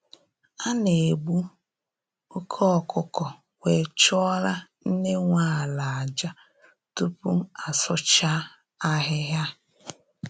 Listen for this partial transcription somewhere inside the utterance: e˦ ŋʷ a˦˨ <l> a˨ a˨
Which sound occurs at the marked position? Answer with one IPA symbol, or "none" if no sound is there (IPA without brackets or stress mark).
l